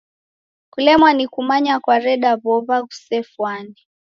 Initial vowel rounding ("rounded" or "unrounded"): rounded